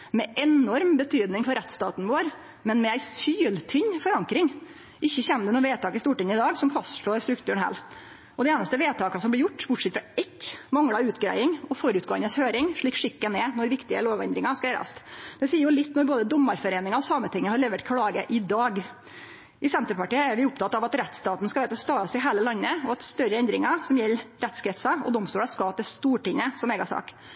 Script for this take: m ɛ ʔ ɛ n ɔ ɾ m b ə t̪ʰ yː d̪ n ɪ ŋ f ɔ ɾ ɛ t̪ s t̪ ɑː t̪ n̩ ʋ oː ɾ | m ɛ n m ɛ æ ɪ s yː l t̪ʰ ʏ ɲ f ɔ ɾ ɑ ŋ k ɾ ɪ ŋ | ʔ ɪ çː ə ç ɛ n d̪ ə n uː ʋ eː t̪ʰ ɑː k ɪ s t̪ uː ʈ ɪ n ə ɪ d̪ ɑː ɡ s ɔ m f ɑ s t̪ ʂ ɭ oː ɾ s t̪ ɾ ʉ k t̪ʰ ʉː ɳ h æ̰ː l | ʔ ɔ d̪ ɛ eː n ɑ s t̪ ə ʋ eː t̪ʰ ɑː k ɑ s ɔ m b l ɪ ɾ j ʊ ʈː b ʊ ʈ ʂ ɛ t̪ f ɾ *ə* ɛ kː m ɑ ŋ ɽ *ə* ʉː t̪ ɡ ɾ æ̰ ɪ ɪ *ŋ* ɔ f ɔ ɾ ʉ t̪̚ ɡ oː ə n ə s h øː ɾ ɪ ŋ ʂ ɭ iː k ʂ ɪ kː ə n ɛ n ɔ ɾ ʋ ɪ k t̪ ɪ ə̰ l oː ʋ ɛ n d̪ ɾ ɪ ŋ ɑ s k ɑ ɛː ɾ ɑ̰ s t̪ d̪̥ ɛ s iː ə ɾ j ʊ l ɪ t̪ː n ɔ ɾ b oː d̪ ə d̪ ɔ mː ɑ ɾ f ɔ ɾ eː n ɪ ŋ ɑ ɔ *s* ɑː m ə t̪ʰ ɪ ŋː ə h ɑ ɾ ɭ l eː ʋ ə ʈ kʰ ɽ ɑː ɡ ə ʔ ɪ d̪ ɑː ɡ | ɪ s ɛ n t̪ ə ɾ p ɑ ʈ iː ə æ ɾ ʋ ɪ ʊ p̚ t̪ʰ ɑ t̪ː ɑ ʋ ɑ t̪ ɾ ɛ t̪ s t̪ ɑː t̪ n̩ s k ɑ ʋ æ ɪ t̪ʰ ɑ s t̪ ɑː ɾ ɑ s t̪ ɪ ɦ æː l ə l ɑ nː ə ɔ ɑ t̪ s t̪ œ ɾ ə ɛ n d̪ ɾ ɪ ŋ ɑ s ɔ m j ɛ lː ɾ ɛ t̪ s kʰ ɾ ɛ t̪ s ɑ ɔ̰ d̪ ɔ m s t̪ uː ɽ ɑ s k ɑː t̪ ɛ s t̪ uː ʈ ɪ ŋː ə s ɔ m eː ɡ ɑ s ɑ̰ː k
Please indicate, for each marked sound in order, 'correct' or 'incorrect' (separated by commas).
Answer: incorrect, incorrect, correct, correct